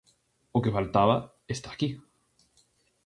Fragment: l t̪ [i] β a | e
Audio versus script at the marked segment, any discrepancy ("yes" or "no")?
yes